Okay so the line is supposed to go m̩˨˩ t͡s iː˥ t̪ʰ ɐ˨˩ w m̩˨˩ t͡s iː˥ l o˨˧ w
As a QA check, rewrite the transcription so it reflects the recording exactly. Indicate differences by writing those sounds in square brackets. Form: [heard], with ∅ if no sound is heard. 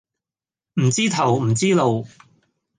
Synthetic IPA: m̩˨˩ t͡s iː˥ t̪ʰ ɐ˨˩ w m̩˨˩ t͡s iː˥ l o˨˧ w

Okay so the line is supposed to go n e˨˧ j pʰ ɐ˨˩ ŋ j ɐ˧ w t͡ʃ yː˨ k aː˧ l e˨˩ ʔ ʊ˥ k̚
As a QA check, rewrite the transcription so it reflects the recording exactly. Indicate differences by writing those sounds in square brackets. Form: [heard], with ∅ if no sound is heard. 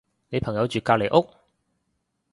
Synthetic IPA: n e˨˧ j pʰ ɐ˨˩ ŋ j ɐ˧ w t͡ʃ yː˨ k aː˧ l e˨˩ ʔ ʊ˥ k̚

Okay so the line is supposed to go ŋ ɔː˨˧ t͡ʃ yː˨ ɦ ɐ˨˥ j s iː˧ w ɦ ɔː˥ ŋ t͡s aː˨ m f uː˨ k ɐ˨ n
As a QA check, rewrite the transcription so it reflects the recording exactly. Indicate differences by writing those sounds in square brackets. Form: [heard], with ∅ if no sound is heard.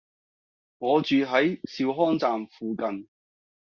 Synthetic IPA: ŋ ɔː˨˧ t͡ʃ yː˨ ɦ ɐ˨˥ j s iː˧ w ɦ ɔː˥ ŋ t͡s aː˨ m f uː˨ k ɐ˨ n

